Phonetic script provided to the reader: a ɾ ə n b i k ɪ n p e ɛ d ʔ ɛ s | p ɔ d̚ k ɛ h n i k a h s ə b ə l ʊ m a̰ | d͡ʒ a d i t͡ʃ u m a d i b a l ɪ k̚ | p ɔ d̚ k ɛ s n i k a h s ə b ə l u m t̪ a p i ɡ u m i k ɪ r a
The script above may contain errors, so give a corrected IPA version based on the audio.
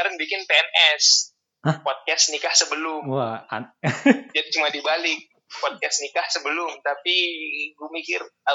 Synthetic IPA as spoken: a ɾ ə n b i k ɪ n p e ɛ n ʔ ɛ s | p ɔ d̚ k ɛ s n i k a h s ə b ə l ʊ m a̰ | d͡ʒ a d i t͡ʃ u m a d i b a l ɪ k̚ | p ɔ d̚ k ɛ s n i k a h s ə b ə l ʊ m t̪ a p i ɡ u m i k ɪ r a